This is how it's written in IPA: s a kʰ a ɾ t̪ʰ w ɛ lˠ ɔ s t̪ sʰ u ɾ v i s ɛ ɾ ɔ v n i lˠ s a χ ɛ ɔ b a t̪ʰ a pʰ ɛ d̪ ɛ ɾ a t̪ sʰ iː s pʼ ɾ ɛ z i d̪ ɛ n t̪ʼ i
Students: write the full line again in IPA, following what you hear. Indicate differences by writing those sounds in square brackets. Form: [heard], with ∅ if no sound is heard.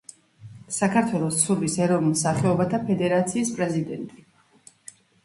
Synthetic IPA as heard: s a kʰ a ɾ t̪ʰ w ɛ lˠ ɔ s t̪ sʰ u ɾ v i s ɛ ɾ ɔ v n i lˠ s a χ ɛ ɔ b a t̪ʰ a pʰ ɛ d̪ ɛ ɾ a t̪ sʰ iː s pʼ ɾ ɛ z i d̪ ɛ n t̪ʼ i